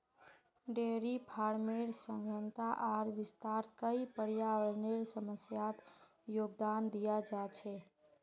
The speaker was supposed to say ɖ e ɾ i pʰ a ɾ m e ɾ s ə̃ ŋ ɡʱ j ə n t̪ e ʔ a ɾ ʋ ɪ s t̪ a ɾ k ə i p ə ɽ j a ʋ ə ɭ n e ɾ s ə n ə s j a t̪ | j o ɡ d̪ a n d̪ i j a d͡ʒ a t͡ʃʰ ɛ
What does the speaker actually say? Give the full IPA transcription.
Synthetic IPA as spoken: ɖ e ɾ i pʰ a ɾ m e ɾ s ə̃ ŋ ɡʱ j ə n t̪ a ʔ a ɾ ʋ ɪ s t̪ a ɾ k ə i p ə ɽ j a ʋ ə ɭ n e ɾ s ə m ə s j a t̪ | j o ɡ d̪ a n d̪ i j a d͡ʒ a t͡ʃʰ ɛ